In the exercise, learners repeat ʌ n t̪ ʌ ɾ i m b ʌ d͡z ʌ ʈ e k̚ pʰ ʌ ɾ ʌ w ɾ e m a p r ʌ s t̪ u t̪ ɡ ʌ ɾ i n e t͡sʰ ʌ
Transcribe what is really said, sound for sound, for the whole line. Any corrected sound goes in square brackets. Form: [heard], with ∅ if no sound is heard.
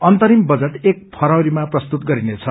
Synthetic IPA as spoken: ʌ n t̪ ʌ ɾ i m b ʌ d͡z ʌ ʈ e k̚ pʰ ʌ ɾ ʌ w ɾ [i] m a p r ʌ s t̪ u t̪ ɡ ʌ ɾ i n e t͡sʰ ʌ